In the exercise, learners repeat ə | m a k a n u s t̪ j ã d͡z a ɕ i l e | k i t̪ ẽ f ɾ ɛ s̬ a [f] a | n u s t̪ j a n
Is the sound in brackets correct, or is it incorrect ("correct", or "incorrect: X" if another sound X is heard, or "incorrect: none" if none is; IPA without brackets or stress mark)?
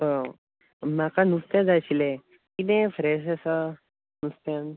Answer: incorrect: s